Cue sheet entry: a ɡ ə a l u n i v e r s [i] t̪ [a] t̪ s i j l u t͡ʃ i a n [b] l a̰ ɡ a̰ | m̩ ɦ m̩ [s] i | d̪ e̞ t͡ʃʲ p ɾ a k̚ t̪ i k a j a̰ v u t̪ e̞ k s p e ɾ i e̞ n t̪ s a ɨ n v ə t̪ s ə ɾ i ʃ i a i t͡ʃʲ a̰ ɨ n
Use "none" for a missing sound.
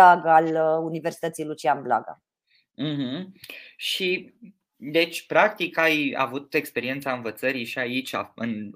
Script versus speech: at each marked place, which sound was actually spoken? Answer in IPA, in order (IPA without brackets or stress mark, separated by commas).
i, ə, b, ʃ